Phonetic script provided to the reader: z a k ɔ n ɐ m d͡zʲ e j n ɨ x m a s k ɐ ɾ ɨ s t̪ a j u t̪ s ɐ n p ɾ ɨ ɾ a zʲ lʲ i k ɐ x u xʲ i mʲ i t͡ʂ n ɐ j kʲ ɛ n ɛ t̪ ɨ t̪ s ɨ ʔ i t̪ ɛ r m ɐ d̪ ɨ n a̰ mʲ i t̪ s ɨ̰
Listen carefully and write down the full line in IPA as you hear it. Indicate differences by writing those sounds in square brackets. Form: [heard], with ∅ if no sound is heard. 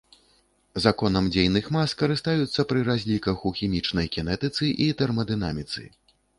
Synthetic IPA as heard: z a k ɔ n ɐ m d͡zʲ e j n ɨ x m a s k ɐ ɾ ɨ s t̪ a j u t̪ [sː] ɐ [∅] p ɾ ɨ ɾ a zʲ lʲ i k ɐ x u xʲ i mʲ i t͡ʂ n ɐ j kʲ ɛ n ɛ t̪ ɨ t̪ s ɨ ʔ i t̪ ɛ r m ɐ d̪ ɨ n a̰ mʲ i t̪ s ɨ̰